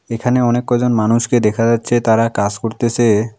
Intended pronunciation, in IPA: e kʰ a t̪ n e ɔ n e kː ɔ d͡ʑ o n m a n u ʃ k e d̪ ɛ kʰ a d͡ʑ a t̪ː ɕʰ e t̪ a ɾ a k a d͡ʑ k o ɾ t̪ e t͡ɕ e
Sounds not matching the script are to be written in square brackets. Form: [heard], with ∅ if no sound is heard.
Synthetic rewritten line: e kʰ a [∅] n e ɔ n e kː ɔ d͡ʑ o n m a n u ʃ k e d̪ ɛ kʰ a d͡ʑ a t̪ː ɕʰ e t̪ a ɾ a k a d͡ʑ k o ɾ t̪ e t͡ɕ e